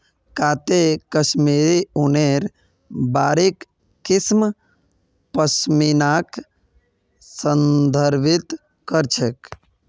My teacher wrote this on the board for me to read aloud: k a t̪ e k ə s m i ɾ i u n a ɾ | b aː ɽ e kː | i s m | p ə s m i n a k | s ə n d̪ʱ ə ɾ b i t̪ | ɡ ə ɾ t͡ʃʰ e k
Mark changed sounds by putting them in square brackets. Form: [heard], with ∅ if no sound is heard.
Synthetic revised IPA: k a t̪ e k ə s m i ɾ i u n [e] ɾ | b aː [ɾ] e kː | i s m | p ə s m i n a k | s ə n d̪ʱ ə ɾ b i t̪ | [k] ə ɾ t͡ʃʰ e k

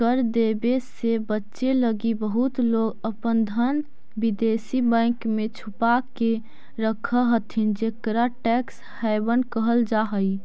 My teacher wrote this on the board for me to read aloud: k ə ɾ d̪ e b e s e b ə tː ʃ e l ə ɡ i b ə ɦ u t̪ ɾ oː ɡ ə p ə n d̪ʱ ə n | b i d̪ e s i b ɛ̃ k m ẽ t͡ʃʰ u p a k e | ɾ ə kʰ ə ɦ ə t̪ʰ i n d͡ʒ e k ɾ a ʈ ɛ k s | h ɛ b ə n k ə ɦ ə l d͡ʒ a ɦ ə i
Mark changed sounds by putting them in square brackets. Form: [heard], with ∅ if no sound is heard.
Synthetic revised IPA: k ə ɾ d̪ e b e s e b ə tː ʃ e l ə ɡ i b ə ɦ u t̪ [l] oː ɡ ə p ə n d̪ʱ ə n | b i d̪ e s i b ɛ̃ k m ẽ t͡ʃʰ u p a k e | ɾ ə kʰ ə ɦ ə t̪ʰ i n d͡ʒ e k ɾ a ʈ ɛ k s | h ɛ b ə n k ə ɦ ə l d͡ʒ a ɦ ə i

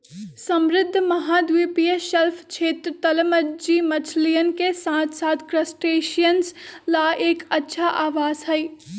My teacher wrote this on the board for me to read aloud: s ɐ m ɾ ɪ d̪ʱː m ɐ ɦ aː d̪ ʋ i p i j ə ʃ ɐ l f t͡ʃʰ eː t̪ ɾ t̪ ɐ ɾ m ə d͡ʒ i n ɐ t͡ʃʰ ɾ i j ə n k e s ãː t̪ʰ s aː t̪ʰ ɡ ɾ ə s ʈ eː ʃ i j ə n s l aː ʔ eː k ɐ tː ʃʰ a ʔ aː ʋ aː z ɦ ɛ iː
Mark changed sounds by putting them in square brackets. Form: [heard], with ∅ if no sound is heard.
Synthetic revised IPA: s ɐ m ɾ ɪ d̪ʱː m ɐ ɦ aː d̪ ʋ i p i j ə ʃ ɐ l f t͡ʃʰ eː t̪ ɾ t̪ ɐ [l] m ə d͡ʒ i [m] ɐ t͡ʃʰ [l] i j ə n k e s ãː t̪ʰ s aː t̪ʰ [k] ɾ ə s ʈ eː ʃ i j ə n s l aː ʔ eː k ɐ tː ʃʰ a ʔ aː ʋ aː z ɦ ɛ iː

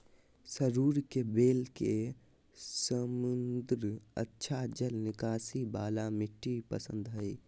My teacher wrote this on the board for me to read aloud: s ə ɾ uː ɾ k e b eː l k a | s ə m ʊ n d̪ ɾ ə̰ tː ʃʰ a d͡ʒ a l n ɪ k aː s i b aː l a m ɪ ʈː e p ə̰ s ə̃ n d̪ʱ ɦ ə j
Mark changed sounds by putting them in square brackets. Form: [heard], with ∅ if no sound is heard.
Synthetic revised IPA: s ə ɾ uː ɾ k e b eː l k [e] | s ə m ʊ n d̪ ɾ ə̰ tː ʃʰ a d͡ʒ [ə] l n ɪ k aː s i b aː l a m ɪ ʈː [i] p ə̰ s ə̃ n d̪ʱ ɦ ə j

